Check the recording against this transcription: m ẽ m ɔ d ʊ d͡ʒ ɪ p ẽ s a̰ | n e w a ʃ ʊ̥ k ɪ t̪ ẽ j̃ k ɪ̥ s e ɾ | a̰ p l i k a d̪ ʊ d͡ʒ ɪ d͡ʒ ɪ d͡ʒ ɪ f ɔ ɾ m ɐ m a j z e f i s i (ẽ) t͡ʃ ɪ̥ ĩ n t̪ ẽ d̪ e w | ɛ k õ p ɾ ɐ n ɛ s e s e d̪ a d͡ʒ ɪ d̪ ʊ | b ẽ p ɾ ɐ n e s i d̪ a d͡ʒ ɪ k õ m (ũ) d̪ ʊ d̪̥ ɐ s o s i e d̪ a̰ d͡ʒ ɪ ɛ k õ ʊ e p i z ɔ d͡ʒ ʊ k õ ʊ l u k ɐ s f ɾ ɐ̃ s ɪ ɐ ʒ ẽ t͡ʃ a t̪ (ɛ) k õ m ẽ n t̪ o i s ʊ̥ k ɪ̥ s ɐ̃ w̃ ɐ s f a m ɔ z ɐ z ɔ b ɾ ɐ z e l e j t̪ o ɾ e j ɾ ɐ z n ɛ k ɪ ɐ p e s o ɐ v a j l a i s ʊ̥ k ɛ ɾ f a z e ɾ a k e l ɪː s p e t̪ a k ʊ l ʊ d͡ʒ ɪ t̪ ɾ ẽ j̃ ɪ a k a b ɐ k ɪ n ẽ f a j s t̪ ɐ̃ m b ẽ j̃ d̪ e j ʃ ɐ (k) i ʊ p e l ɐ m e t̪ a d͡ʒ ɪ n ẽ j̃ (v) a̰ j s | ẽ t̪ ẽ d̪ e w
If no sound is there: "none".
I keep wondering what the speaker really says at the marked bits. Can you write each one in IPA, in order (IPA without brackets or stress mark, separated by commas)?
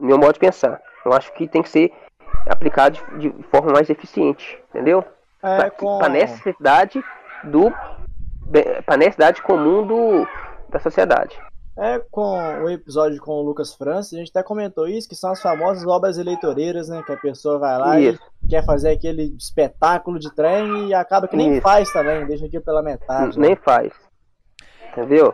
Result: ẽ, ũ, ɛ, k, f